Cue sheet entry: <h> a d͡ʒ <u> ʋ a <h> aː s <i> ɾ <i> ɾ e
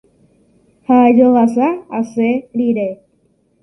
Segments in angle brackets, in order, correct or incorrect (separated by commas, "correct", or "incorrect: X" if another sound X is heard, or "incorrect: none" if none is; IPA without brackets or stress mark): correct, incorrect: o, incorrect: s, incorrect: e, correct